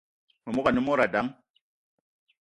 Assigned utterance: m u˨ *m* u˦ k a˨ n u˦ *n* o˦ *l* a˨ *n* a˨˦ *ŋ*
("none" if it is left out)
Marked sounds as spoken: m, m, ɾ, d, ŋ

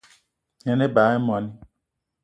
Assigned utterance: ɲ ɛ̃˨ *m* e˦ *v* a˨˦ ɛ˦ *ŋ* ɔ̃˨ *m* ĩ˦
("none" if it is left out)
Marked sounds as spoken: n, b, m, n

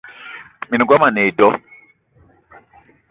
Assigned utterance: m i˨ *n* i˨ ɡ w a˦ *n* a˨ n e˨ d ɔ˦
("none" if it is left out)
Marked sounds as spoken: n, m

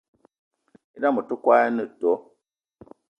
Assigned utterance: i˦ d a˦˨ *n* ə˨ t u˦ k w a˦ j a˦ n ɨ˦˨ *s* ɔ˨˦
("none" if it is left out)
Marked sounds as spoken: m, t

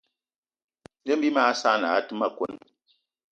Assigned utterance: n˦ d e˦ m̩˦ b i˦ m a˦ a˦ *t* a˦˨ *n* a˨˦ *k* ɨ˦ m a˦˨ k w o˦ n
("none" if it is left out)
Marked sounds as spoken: s, n, t

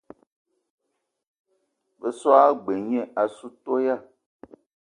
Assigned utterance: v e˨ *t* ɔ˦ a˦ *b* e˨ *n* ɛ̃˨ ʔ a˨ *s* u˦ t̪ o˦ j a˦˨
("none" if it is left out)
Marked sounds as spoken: s, ɡ͡b, ɲ, s

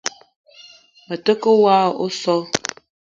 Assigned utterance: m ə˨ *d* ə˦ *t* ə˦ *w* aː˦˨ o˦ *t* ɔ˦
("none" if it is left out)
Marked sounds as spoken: t, k, w, s

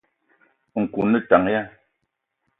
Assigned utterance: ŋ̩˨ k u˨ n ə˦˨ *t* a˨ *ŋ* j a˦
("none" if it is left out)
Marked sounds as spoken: t, ŋ

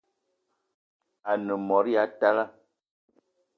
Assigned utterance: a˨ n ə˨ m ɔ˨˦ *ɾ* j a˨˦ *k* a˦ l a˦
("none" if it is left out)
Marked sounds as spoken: ɾ, t

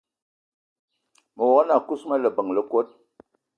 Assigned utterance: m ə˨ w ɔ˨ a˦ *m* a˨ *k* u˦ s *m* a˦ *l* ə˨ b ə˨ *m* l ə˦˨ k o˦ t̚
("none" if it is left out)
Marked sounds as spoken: n, k, m, l, ŋ

